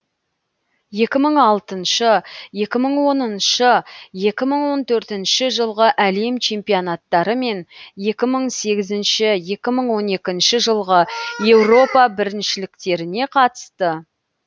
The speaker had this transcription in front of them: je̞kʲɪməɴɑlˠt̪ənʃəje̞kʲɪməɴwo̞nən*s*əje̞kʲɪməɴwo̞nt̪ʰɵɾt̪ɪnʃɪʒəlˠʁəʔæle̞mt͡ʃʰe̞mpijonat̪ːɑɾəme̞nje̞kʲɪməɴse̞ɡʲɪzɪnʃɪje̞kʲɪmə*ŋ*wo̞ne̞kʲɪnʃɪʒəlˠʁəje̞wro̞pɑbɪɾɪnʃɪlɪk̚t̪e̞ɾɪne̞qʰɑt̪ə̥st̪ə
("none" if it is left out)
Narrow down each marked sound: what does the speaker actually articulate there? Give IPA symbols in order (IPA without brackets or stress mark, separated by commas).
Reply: ʃ, ɴ